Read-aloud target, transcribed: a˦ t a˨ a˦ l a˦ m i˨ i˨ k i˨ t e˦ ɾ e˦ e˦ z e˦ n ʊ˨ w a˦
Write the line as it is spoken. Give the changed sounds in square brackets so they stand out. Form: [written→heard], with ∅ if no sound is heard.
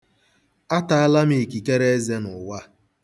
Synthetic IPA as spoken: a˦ t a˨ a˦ l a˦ m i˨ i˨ k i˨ [t→k] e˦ ɾ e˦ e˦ z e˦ n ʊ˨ w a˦